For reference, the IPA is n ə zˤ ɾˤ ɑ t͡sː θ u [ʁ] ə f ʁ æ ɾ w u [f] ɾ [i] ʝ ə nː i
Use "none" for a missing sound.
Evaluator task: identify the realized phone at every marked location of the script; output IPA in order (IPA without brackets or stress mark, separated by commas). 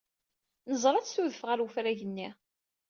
ð, f, æ